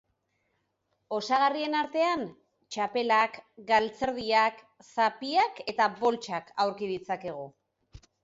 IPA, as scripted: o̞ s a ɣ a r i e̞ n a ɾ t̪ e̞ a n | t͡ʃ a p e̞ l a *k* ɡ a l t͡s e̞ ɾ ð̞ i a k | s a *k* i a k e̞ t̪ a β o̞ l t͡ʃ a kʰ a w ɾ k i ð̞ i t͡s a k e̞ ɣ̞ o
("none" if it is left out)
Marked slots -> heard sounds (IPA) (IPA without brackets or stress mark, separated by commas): k, p